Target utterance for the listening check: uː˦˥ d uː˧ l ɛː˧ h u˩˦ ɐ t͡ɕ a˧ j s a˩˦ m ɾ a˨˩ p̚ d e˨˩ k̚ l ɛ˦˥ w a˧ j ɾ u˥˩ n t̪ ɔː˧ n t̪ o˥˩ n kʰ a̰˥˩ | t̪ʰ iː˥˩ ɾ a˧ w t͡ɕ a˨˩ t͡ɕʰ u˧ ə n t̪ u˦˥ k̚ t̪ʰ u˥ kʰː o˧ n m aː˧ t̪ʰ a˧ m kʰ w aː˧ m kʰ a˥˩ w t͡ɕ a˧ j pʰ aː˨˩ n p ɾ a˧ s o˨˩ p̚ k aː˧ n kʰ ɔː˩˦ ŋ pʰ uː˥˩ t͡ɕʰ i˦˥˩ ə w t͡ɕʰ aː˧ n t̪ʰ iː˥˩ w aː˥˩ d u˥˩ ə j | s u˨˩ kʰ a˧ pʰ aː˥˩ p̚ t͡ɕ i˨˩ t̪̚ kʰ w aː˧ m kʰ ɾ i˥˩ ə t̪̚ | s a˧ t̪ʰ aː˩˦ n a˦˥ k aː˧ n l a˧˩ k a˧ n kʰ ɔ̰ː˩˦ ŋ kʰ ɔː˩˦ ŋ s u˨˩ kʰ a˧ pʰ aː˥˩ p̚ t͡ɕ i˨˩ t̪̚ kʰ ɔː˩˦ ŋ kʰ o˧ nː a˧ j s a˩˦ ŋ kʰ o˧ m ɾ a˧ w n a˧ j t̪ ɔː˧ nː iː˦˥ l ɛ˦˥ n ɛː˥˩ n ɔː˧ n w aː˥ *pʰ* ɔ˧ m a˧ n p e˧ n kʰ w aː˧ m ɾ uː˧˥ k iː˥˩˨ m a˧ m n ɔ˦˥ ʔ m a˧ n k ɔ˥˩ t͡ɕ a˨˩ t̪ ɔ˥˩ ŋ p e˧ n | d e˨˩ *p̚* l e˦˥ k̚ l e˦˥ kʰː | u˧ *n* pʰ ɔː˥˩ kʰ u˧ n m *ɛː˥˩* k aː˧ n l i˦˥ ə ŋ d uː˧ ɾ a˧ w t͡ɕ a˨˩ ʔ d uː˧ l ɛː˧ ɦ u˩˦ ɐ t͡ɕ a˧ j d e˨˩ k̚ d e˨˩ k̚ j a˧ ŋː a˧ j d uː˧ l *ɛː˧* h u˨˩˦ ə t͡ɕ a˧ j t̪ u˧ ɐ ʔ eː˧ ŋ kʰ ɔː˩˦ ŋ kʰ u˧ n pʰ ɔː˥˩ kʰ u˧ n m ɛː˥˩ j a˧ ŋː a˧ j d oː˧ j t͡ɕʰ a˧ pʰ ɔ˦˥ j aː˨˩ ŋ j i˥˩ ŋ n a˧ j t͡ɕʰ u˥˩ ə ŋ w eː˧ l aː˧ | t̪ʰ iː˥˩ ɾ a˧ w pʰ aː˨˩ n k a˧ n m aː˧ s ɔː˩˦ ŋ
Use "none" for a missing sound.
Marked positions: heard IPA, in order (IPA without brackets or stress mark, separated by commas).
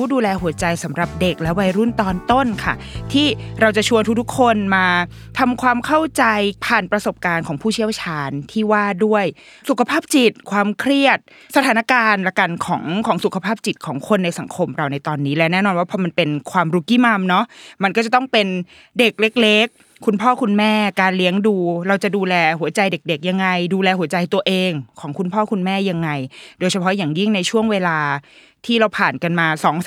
pʰ, k̚, n, ɛː˥˩, ɛː˧